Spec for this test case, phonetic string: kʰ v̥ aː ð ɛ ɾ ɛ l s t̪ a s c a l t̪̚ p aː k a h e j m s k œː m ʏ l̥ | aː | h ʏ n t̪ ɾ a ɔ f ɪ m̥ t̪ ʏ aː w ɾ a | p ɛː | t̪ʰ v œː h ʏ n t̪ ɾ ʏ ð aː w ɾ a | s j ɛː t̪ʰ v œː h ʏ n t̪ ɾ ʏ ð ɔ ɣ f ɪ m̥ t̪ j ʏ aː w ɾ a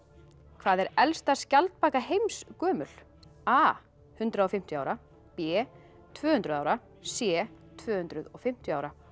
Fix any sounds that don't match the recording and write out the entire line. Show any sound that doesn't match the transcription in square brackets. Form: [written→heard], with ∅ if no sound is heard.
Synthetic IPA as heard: kʰ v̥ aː ð ɛ ɾ ɛ l s t̪ a s c a l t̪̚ p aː k a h e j m s k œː m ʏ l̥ | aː | h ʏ n t̪ ɾ a ɔ f ɪ m̥ t̪ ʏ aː w ɾ a | p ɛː | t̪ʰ v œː h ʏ n t̪ ɾ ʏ ð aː w ɾ a | s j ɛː t̪ʰ v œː h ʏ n t̪ ɾ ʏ ð ɔ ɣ f ɪ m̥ t̪ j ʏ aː w ɾ a